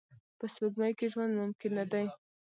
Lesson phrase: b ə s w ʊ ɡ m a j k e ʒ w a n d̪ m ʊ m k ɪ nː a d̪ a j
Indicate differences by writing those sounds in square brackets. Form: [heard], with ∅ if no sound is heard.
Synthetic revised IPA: [p] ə s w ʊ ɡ m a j k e ʒ w a n d̪ m ʊ m k ɪ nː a d̪ a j